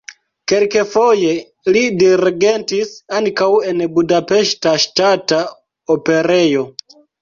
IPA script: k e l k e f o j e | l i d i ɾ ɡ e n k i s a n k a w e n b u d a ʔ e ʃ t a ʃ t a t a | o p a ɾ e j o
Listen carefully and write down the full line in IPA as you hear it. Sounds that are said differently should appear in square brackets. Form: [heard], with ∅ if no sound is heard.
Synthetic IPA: k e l k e f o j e | l i d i ɾ ɡ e n [t] i s a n k a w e n b u d a [p] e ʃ t a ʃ t a t a | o p [e] ɾ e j o